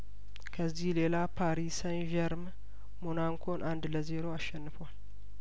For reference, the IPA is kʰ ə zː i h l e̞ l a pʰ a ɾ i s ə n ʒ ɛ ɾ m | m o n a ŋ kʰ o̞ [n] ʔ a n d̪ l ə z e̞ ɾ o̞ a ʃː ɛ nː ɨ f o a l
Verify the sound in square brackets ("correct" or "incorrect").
correct